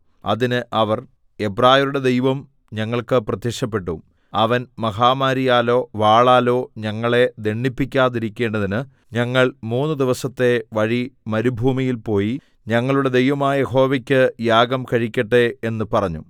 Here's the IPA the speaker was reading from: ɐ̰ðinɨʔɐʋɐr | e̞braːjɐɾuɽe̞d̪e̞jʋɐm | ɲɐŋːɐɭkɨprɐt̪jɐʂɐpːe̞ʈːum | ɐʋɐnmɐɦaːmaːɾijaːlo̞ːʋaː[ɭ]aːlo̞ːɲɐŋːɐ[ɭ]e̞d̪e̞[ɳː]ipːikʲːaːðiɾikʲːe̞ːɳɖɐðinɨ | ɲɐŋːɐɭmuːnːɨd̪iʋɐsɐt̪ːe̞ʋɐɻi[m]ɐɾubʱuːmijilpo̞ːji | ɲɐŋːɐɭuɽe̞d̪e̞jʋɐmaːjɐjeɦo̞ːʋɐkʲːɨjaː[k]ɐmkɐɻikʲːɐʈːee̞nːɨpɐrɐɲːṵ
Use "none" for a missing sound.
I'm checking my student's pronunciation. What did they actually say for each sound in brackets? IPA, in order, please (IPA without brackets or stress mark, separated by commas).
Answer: ɭ, ɭ, ɳː, m, ɡ